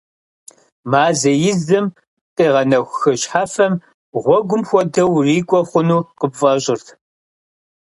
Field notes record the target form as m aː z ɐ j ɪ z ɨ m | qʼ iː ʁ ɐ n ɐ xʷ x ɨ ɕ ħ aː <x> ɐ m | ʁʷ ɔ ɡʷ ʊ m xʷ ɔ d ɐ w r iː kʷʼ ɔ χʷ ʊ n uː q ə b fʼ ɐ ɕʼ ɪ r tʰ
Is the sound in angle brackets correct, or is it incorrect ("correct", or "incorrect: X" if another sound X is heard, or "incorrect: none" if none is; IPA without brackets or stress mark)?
incorrect: f